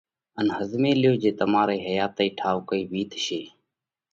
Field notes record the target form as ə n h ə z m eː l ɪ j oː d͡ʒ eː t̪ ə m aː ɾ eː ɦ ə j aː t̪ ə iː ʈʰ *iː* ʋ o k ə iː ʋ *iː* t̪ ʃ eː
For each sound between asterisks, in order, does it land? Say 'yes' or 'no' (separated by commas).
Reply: no, yes